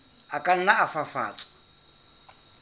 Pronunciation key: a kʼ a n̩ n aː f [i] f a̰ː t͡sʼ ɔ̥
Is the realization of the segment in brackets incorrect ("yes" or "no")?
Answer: yes